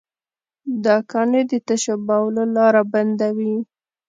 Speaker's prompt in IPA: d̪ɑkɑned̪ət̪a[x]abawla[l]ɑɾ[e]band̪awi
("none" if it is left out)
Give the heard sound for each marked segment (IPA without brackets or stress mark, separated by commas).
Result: ʃ, l, a